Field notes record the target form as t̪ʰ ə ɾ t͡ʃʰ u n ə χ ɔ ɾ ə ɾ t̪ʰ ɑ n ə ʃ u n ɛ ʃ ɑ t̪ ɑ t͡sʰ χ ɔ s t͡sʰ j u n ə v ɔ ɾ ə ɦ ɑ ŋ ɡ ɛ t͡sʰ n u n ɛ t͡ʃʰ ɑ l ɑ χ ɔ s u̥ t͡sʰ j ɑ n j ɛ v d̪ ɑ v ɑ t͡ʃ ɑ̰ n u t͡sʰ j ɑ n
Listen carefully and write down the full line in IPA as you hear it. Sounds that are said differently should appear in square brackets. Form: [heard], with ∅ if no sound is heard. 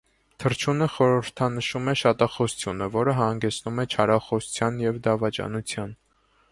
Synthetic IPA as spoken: t̪ʰ ə ɾ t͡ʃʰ u n ə χ ɔ ɾ ə ɾ t̪ʰ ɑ n ə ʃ u [m] ɛ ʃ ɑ t̪ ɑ [∅] χ ɔ s t͡sʰ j u n ə v ɔ ɾ ə ɦ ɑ ŋ ɡ ɛ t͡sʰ n u [m] ɛ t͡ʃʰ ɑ [ɾ] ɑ χ ɔ s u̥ t͡sʰ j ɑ n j ɛ v d̪ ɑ v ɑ t͡ʃ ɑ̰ n u t͡sʰ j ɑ n